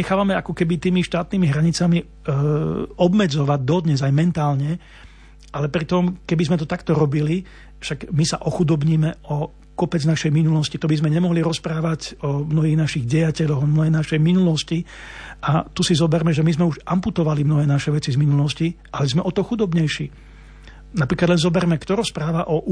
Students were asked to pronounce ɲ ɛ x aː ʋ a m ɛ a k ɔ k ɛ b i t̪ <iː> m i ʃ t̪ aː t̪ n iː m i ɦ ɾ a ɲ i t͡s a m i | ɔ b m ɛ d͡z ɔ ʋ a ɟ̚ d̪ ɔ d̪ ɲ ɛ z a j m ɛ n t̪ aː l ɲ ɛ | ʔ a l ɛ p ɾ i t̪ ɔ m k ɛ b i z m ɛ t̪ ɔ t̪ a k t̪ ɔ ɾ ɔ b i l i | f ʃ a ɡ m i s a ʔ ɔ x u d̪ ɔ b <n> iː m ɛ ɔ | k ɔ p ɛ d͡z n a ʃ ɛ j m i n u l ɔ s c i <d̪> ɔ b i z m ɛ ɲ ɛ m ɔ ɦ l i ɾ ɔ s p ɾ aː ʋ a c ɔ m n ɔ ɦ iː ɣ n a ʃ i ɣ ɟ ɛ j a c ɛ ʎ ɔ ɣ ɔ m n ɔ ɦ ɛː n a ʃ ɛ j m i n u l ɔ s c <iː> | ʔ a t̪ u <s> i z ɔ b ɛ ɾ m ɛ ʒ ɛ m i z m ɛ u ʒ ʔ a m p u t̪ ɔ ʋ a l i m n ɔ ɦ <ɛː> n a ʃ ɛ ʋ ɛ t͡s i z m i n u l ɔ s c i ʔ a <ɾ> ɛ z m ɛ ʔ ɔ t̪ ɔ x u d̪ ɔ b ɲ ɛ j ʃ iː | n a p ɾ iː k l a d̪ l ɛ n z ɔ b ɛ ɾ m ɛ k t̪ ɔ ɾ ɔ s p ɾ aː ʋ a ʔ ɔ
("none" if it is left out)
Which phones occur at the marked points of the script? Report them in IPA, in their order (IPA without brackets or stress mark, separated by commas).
iː, ɲ, t̪, i, s, ɛː, l